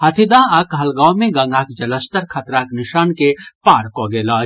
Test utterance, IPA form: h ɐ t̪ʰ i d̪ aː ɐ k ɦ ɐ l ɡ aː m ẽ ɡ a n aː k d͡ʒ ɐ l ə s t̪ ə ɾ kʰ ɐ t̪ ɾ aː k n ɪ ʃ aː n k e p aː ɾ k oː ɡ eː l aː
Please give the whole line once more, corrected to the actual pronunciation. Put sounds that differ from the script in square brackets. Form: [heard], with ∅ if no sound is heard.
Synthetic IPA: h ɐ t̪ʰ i d̪ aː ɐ k ɦ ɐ l ɡ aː m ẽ ɡ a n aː k d͡ʒ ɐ l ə s t̪ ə ɾ kʰ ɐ t̪ ɾ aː k n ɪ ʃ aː n k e p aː ɾ k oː ɡ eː l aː